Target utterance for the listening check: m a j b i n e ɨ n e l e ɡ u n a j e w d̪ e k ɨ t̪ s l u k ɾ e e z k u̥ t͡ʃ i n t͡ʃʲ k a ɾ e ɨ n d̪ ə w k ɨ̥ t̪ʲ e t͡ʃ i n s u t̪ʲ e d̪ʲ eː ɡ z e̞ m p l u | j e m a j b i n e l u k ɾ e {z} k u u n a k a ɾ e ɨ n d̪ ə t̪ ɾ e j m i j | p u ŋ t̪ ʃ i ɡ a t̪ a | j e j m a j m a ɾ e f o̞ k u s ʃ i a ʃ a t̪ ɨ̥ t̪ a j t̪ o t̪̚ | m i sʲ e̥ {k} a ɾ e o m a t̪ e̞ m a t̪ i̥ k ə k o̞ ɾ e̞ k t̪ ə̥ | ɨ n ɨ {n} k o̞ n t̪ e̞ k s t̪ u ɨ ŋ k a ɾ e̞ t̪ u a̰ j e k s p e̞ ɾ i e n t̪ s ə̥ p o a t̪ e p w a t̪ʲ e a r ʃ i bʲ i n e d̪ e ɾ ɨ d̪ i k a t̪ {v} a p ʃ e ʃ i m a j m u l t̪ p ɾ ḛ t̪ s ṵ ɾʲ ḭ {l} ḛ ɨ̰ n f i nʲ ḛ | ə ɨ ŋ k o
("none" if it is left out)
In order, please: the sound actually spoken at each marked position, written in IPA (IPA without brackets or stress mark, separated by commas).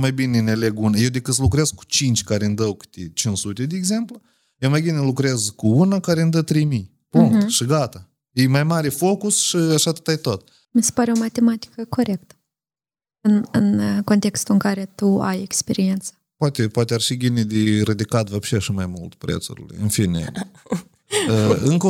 z, p, n, v, l